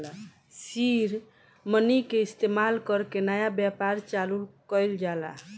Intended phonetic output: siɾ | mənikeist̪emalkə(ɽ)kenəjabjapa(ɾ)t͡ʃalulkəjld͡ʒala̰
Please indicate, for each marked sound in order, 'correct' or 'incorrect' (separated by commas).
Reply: incorrect, correct